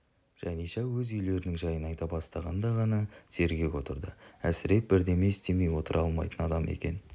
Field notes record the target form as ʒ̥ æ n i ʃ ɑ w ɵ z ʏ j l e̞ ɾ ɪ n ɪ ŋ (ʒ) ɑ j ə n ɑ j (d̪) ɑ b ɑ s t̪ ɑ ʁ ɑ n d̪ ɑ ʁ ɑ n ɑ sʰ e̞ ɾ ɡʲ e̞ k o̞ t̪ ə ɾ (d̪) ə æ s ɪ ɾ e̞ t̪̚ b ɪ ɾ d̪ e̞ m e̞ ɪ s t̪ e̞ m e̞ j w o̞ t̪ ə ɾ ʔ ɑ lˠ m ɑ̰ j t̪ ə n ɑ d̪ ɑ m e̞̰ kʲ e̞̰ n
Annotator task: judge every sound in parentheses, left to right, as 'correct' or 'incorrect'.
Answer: correct, incorrect: t̪, correct

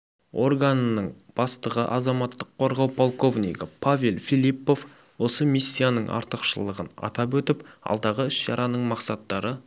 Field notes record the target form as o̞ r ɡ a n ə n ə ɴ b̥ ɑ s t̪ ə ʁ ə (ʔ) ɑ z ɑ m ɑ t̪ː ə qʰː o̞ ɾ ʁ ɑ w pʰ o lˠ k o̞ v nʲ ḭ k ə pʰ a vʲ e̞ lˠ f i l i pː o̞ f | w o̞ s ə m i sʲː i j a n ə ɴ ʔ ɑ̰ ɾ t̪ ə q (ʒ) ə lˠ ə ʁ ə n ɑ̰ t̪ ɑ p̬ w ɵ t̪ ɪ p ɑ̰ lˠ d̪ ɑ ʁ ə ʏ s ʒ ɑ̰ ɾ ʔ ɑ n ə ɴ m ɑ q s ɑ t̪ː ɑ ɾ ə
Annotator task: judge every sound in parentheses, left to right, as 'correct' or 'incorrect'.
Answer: correct, incorrect: ʃ

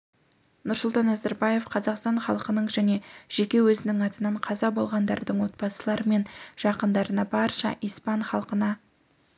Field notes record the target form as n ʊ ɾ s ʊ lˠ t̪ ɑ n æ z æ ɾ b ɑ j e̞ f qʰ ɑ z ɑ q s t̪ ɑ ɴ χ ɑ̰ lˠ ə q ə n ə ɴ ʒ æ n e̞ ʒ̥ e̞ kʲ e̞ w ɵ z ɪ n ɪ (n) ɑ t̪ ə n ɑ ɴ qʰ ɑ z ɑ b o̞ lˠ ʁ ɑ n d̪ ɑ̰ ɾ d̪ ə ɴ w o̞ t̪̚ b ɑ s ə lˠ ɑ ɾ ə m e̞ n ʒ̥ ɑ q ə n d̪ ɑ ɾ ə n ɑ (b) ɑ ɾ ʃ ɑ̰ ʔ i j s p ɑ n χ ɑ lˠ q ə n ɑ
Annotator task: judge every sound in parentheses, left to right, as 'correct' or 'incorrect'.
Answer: incorrect: ŋ, correct

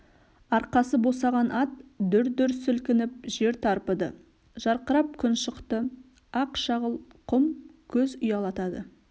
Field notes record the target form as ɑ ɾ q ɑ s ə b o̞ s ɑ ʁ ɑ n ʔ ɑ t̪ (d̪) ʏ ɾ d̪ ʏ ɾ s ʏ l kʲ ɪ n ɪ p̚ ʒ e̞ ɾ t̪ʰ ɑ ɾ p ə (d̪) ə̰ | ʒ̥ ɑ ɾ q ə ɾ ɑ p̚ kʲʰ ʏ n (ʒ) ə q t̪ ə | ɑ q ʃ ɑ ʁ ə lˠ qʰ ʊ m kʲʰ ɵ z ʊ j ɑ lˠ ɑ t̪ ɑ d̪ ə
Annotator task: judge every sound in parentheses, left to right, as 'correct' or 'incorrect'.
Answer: correct, correct, incorrect: ʃ

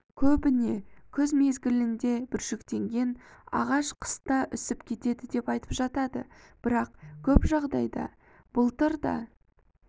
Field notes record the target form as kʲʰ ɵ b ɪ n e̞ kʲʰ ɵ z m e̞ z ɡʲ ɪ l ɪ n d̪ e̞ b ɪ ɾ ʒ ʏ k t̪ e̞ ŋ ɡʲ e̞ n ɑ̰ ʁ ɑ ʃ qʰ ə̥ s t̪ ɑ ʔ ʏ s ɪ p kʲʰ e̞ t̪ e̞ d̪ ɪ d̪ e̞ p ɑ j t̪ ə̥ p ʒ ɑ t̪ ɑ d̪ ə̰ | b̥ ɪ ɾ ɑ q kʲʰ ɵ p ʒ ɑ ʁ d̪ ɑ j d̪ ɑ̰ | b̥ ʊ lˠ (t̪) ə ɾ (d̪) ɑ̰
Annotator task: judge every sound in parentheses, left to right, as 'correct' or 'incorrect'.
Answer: correct, correct

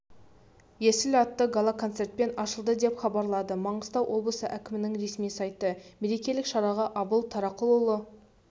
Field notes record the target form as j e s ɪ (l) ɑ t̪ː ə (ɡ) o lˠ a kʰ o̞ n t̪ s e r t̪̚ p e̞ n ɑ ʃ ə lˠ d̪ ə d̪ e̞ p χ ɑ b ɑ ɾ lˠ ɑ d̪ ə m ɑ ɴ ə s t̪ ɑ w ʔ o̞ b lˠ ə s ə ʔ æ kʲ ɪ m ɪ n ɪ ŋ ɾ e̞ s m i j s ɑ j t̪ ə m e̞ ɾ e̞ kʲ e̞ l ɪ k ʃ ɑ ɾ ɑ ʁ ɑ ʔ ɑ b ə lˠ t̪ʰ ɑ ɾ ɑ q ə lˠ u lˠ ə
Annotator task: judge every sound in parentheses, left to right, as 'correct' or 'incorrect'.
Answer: correct, correct

